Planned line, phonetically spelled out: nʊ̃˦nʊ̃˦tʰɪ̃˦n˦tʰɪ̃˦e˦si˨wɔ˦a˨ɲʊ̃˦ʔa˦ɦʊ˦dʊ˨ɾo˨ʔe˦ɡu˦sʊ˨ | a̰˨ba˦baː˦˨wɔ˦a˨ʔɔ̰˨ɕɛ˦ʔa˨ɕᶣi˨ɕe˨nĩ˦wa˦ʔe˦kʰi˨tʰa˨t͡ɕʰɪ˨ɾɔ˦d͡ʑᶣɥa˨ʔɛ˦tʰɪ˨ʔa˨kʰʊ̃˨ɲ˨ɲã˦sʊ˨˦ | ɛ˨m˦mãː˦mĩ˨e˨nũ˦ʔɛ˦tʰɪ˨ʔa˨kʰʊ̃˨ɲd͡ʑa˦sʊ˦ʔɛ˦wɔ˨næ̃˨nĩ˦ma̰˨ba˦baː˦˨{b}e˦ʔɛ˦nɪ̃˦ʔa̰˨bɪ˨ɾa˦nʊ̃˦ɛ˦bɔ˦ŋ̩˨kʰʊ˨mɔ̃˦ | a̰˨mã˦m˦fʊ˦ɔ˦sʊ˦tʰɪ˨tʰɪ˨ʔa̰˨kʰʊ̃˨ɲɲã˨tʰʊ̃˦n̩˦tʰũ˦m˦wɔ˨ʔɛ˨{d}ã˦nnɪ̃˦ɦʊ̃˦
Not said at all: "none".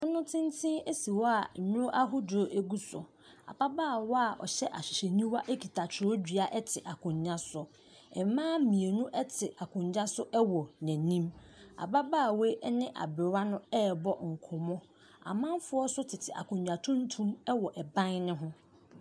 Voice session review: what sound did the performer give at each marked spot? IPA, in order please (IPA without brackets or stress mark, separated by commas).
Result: w, b